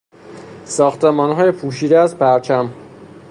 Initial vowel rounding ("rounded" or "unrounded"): rounded